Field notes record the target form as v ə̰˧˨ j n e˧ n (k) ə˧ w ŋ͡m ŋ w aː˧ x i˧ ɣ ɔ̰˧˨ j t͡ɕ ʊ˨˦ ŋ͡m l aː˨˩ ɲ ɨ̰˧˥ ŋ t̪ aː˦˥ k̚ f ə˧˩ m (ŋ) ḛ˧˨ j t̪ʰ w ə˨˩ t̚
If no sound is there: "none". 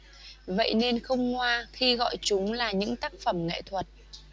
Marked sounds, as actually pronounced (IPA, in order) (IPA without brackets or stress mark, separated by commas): x, ŋ